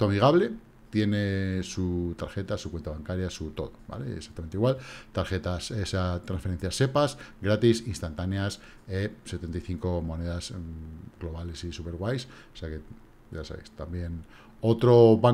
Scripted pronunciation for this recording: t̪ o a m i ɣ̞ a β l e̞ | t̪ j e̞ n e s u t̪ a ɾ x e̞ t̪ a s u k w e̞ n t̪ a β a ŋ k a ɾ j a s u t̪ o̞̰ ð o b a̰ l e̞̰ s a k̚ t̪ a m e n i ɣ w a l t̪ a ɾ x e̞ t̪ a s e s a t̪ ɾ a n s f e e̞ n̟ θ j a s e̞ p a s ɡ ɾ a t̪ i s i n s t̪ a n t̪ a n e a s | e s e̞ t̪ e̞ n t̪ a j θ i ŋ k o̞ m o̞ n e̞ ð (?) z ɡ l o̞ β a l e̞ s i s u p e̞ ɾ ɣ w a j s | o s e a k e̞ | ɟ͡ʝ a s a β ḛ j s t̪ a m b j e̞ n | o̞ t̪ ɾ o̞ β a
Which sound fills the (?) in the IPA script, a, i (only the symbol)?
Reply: a